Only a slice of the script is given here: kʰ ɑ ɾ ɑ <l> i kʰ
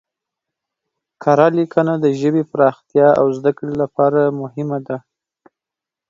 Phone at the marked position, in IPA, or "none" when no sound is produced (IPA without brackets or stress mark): l